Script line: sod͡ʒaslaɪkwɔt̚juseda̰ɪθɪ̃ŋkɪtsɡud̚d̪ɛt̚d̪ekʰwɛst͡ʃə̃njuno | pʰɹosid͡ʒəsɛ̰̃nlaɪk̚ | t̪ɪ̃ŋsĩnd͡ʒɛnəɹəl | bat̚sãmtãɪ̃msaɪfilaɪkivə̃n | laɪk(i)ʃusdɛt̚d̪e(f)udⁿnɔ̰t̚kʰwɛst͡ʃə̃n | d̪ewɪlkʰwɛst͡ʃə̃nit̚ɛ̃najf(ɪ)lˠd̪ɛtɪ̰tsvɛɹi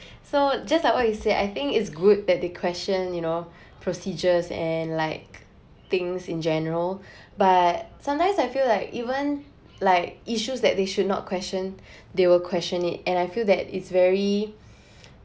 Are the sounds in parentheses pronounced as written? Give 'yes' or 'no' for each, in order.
yes, no, no

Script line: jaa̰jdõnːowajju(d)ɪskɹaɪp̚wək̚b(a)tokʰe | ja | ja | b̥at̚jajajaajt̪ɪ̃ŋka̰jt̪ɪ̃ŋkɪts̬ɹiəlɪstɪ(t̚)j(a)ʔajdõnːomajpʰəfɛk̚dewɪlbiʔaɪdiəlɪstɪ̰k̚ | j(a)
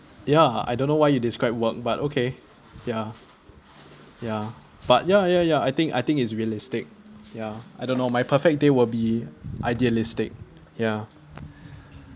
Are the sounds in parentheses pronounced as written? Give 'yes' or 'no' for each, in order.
yes, yes, no, yes, yes

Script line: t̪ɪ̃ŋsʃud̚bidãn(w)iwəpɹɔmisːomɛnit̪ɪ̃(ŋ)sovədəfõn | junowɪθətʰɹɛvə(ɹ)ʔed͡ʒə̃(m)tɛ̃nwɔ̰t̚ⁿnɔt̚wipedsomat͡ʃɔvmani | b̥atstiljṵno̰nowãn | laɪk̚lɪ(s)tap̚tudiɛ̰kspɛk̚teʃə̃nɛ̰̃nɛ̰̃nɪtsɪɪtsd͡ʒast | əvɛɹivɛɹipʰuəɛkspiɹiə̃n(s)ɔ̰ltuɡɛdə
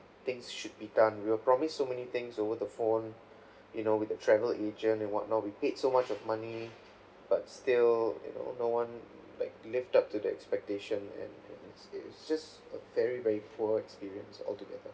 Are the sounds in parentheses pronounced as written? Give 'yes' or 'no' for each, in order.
yes, yes, no, no, no, yes

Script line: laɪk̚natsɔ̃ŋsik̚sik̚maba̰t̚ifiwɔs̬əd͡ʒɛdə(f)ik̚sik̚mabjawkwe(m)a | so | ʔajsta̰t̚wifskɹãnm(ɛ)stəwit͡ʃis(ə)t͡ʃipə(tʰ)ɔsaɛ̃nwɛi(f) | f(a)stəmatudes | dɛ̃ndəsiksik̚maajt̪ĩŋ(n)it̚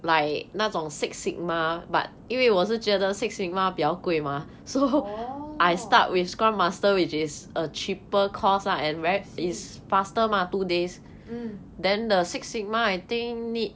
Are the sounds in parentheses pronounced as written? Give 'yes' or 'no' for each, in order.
no, yes, no, yes, no, no, yes, yes

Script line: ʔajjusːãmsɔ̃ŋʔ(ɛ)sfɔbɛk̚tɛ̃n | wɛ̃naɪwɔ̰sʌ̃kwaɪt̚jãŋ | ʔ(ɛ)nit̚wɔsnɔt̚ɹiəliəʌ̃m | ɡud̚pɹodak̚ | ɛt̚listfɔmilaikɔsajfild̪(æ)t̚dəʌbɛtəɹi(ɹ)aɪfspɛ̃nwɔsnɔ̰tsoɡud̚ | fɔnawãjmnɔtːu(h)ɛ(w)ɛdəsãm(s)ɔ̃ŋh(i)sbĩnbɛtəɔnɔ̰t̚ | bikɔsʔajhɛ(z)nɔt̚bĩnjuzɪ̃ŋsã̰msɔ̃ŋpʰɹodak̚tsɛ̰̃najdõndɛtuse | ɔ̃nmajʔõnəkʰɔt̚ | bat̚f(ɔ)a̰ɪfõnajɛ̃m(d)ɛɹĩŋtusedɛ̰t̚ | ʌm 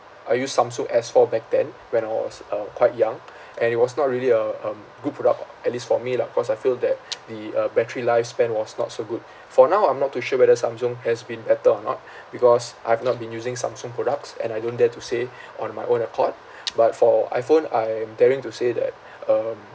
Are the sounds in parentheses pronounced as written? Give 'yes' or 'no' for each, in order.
yes, no, no, no, no, yes, yes, no, no, yes, yes

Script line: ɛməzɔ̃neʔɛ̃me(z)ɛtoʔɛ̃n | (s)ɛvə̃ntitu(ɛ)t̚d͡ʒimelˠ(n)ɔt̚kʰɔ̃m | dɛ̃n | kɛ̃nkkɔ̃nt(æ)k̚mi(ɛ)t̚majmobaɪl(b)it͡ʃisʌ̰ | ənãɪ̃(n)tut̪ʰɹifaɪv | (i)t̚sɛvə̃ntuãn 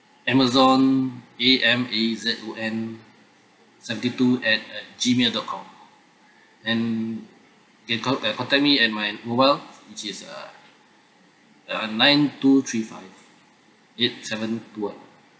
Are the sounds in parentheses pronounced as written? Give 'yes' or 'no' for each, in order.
yes, yes, yes, no, no, yes, no, yes, no

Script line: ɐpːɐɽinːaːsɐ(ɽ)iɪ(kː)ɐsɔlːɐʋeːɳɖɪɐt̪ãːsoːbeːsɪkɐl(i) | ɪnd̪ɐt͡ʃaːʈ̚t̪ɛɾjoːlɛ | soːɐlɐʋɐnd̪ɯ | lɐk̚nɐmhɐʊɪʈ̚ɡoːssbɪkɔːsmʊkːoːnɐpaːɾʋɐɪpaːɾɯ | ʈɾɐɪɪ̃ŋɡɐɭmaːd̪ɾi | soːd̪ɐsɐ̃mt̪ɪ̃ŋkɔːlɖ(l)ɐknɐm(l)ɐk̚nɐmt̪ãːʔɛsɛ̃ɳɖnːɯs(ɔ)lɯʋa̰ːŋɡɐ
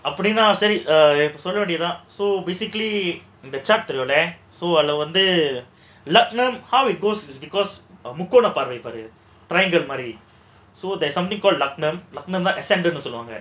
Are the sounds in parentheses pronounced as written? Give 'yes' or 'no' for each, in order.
no, no, yes, yes, yes, yes

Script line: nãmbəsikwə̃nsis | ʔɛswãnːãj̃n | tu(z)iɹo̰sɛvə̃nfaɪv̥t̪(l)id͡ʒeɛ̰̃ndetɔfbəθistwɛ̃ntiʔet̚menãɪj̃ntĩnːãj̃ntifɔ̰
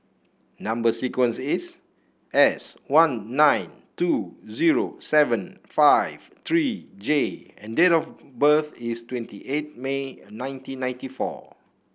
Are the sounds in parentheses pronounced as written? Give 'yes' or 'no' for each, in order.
yes, no

